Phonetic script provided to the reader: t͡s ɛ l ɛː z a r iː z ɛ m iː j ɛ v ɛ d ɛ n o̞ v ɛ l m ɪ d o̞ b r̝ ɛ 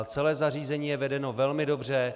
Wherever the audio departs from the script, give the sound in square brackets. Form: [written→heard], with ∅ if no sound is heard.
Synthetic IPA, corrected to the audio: t͡s ɛ l ɛː z a r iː z ɛ [m→ɲ] iː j ɛ v ɛ d ɛ n o̞ v ɛ l m ɪ d o̞ b r̝ ɛ